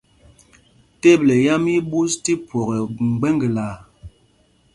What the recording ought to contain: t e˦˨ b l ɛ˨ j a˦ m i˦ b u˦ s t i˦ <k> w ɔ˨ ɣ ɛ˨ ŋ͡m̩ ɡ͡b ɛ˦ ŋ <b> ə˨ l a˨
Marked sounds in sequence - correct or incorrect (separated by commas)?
incorrect, incorrect